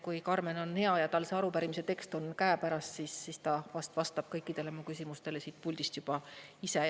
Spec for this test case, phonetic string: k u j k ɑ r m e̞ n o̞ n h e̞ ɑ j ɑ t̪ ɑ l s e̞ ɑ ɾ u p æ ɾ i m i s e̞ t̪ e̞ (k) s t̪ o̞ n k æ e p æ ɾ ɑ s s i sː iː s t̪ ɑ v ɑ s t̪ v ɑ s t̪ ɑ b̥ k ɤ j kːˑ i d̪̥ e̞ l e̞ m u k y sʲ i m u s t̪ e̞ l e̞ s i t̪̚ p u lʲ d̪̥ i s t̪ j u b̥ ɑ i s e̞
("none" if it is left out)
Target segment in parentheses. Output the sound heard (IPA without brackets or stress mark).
k